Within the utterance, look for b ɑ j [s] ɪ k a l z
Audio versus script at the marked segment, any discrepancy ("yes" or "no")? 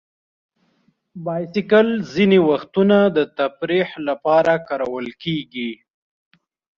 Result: no